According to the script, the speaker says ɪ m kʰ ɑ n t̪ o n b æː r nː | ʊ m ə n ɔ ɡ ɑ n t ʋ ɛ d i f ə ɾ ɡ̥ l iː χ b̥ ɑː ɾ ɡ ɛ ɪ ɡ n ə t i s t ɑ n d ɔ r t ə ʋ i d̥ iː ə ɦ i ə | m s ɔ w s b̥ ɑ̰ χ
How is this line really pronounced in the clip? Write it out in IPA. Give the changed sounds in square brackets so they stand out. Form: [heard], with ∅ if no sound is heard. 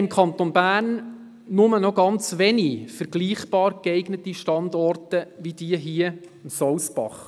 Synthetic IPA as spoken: ɪ m kʰ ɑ n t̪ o n b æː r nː | ʊ m ə n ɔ ɡ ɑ n [t͡s] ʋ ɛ [n] i f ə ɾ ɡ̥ l iː χ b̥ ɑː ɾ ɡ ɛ ɪ ɡ n ə t i [ʃ] t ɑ n d ɔ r t ə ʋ i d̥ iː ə ɦ i ə | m s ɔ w s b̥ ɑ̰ χ